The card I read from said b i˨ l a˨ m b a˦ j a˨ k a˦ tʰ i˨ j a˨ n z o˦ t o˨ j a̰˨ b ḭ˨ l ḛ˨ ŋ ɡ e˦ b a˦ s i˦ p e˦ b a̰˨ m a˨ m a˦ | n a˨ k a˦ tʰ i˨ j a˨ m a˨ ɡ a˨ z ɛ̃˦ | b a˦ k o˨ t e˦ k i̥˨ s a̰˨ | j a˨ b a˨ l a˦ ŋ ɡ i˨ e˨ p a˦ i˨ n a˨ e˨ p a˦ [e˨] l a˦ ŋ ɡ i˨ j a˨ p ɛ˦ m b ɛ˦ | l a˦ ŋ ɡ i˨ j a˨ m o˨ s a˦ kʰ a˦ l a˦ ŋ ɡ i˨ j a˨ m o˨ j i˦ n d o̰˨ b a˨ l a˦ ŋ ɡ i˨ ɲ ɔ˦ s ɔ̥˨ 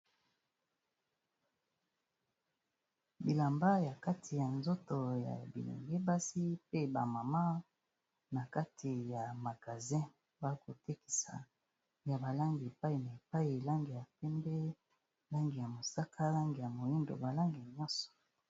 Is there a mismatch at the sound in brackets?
yes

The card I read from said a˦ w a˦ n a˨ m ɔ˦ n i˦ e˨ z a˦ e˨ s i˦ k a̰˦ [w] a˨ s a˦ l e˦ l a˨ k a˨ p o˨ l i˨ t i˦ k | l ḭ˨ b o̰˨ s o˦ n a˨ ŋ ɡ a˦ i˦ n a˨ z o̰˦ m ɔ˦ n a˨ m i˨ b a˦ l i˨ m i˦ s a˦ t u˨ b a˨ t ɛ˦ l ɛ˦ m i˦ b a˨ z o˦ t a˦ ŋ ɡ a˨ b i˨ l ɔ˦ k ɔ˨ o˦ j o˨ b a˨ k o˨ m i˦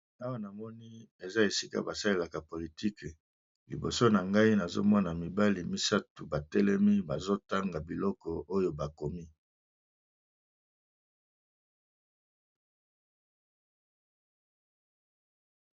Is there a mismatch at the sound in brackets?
yes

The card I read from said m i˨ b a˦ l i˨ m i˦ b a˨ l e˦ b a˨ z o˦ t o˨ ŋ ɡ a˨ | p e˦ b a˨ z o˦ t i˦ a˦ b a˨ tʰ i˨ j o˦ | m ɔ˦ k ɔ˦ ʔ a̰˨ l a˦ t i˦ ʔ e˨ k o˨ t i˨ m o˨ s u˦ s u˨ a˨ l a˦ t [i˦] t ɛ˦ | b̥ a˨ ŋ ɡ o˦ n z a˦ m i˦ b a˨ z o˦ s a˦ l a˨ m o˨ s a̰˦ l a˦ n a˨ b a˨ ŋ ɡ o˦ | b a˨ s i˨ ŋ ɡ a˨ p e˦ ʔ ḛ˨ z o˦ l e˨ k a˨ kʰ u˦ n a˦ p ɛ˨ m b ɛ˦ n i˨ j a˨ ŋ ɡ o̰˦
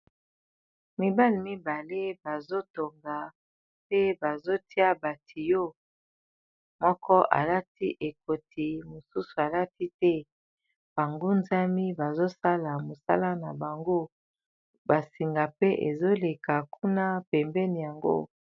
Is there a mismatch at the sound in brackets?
no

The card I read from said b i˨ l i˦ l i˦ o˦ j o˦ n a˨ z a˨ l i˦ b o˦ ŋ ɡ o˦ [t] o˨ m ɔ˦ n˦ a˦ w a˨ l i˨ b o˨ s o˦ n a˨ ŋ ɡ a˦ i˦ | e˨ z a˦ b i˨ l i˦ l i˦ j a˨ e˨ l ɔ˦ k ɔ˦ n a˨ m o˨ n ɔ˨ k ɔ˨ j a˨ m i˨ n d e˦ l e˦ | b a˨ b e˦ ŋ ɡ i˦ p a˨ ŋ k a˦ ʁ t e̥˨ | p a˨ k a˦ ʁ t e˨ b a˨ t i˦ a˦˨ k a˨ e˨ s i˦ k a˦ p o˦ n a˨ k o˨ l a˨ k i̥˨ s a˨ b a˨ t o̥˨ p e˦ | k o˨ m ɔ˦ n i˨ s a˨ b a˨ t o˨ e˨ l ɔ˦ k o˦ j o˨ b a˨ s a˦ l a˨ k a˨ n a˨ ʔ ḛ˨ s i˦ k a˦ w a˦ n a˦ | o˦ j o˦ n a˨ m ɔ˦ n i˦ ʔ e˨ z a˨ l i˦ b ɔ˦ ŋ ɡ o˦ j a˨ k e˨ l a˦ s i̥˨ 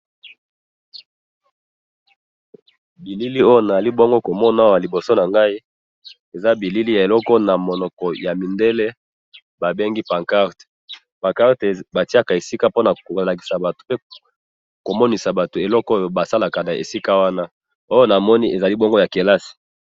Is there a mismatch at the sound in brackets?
yes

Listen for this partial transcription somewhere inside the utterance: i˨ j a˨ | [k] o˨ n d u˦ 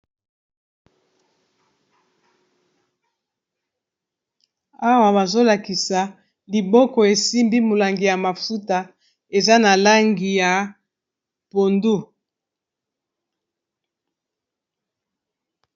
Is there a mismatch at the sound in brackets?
yes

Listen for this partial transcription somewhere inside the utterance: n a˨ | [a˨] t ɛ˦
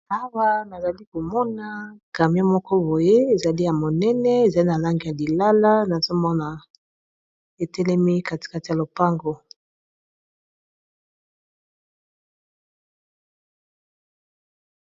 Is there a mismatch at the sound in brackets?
yes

